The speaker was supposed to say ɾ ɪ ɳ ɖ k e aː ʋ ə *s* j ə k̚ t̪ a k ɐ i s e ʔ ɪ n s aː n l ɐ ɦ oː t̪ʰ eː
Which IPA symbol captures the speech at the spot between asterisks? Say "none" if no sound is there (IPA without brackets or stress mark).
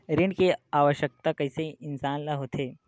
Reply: ʃ